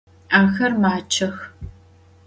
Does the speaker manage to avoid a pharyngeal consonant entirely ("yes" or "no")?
yes